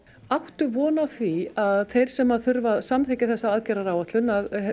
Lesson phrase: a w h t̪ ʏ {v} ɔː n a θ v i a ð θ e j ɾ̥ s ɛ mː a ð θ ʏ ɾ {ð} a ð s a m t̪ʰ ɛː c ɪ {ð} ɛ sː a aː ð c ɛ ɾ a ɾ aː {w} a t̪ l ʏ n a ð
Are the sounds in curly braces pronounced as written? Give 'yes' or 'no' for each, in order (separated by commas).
yes, no, no, yes